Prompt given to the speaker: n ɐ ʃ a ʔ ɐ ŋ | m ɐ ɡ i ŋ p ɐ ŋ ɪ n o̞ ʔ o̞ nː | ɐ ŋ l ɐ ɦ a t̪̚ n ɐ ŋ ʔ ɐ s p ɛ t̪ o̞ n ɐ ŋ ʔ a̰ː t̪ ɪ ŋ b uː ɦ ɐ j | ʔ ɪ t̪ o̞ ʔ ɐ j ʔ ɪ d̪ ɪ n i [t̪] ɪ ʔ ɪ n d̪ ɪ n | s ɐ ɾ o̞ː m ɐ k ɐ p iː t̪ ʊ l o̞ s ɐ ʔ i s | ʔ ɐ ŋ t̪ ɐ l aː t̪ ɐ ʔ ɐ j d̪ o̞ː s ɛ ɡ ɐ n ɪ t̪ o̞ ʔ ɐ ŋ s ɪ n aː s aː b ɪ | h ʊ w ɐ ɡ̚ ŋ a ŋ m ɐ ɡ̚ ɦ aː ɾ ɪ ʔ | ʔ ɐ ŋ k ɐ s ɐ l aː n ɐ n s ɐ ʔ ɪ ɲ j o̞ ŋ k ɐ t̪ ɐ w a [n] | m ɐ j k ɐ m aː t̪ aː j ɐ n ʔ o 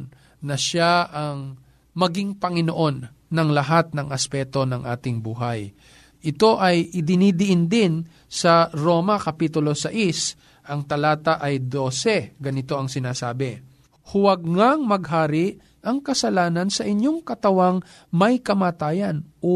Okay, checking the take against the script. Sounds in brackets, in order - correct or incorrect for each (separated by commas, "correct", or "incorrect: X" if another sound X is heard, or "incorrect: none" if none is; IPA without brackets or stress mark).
incorrect: d̪, incorrect: ŋ